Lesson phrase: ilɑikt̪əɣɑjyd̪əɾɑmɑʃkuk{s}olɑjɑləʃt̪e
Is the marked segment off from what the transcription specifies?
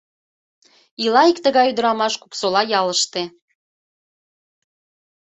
no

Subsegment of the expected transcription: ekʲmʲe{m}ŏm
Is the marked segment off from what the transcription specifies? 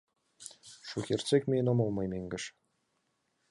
yes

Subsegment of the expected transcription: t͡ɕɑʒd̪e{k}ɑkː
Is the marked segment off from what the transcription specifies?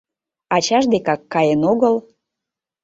no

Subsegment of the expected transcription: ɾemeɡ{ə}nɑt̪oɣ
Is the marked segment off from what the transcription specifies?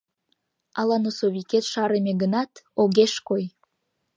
no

